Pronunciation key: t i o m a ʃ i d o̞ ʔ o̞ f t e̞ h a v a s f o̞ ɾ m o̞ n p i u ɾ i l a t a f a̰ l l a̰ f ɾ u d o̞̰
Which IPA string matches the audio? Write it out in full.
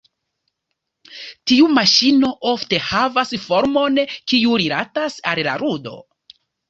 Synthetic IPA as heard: t i u m a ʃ i n o̞ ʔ o̞ f t e̞ h a v a s f o̞ ɾ m o̞ n k i u ɾ i l a t a s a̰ l l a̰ ɾ u d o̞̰